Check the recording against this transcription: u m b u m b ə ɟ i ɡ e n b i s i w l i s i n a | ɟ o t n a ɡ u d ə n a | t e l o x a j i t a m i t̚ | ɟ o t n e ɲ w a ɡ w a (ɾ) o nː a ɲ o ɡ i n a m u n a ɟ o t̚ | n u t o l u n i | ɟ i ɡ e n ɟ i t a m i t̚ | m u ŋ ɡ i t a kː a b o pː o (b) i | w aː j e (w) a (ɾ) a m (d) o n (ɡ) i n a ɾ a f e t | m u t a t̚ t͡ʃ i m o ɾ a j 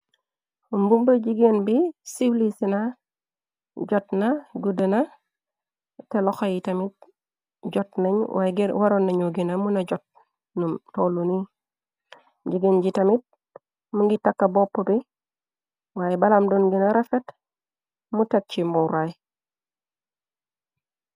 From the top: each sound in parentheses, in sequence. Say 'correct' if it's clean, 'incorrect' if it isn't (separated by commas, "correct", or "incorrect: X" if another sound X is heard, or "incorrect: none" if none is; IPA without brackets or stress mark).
correct, correct, incorrect: b, incorrect: l, correct, correct